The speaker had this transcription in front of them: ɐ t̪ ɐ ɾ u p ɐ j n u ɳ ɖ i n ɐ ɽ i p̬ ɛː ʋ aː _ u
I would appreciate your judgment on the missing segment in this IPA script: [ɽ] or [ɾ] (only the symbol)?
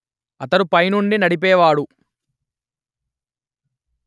ɽ